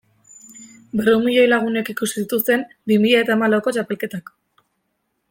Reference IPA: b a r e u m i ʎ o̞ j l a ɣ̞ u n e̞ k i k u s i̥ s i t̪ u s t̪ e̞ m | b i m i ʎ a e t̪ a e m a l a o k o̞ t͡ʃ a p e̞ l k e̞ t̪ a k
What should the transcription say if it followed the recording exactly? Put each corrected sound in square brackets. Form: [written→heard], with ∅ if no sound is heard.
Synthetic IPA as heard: b [a→e] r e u m i ʎ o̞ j l a ɣ̞ u n e̞ k i k u s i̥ s i t̪ u s t̪ e̞ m | b i m i ʎ a e t̪ a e m a l a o k o̞ t͡ʃ a p e̞ l k e̞ t̪ a k